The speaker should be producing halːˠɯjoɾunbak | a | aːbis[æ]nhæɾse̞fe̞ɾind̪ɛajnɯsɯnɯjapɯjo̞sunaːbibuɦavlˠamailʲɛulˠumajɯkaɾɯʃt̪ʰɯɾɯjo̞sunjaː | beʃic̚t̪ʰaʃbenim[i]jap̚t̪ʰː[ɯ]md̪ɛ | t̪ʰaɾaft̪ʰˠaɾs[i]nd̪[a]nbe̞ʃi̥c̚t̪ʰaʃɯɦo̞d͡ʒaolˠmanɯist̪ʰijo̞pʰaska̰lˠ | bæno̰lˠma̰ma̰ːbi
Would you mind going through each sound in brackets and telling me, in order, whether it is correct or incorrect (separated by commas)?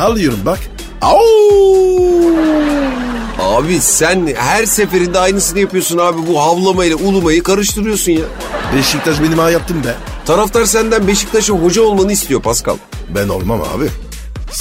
correct, incorrect, correct, incorrect, incorrect